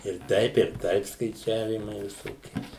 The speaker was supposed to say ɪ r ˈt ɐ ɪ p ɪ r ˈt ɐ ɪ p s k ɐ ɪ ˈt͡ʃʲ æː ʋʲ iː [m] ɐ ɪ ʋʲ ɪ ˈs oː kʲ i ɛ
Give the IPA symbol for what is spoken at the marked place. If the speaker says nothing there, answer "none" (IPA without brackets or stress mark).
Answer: m